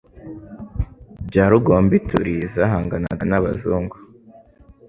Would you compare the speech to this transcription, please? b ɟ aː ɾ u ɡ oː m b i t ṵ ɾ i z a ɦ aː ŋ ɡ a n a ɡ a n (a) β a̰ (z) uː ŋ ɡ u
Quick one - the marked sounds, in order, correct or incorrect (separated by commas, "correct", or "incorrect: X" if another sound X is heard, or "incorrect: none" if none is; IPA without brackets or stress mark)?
correct, correct